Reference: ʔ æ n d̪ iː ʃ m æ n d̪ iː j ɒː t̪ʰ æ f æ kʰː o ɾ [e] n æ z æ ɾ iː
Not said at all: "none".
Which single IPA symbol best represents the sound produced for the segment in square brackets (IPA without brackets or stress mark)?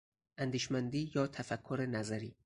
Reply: e